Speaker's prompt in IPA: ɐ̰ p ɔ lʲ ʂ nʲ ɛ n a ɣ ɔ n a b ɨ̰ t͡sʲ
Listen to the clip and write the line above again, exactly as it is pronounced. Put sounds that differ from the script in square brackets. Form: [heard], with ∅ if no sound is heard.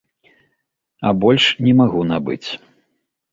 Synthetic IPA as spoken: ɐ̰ [b] ɔ lʲ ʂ nʲ ɛ [m] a ɣ [u] n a b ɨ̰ t͡sʲ